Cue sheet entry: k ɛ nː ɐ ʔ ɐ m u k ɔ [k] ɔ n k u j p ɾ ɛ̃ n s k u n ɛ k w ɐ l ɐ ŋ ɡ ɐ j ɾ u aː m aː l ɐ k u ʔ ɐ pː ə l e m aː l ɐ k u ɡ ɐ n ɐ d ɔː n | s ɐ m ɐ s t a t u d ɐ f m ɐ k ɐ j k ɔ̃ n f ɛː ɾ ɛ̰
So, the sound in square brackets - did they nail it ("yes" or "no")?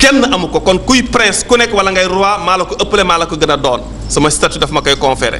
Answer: yes